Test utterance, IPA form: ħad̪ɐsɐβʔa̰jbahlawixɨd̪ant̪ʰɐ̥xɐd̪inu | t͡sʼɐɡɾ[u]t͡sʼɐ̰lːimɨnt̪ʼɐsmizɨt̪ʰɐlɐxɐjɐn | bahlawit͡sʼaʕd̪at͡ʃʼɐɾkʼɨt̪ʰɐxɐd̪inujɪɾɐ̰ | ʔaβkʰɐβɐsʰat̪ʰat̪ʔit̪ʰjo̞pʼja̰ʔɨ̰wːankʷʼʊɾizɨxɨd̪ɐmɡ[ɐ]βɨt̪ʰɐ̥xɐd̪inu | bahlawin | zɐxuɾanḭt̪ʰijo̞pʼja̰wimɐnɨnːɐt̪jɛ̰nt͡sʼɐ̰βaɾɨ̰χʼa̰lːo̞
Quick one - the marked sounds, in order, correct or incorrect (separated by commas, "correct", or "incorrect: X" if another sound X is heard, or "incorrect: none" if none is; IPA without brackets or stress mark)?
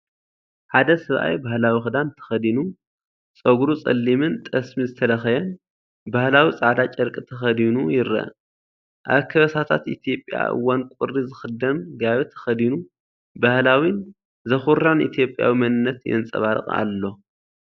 correct, incorrect: a